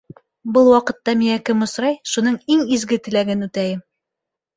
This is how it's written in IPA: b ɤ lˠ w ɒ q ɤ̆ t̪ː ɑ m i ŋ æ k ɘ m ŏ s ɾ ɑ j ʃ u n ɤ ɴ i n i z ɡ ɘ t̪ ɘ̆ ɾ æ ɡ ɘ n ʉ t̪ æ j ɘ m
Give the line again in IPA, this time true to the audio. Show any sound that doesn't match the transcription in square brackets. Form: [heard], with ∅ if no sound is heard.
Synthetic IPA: b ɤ lˠ w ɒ q ɤ̆ t̪ː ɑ m i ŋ æ k ɘ m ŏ s ɾ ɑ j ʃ u n ɤ ɴ i [ŋ] i z ɡ ɘ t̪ ɘ̆ [l] æ ɡ ɘ n ʉ t̪ æ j ɘ m